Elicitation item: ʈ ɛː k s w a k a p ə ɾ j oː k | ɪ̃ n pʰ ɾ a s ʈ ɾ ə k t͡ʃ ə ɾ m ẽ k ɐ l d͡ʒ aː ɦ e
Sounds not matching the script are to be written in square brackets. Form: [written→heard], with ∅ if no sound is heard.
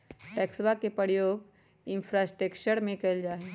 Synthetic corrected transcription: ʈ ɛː k s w a k [a→e] p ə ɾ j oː [k→ɡ] | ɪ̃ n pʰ ɾ a s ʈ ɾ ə k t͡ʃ ə ɾ m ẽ k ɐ l d͡ʒ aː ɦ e